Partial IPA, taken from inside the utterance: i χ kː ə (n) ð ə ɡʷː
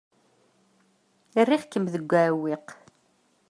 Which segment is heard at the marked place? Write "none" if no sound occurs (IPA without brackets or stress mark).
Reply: m